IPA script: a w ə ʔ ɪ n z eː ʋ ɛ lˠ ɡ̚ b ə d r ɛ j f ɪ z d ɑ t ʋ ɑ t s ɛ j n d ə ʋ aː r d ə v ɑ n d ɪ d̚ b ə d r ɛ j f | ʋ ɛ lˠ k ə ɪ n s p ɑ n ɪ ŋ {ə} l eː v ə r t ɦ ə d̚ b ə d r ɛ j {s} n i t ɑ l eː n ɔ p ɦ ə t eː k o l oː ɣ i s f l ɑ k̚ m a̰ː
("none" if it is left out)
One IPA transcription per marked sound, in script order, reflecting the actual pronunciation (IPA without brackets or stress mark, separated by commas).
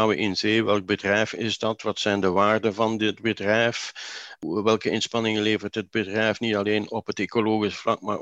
ə, f